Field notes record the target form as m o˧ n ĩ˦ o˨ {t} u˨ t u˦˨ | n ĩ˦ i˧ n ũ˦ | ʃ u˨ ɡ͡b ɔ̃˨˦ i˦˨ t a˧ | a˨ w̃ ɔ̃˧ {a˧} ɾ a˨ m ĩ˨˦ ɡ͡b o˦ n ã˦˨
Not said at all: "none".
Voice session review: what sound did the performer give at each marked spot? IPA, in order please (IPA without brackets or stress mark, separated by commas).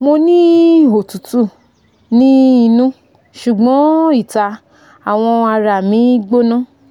t, a˧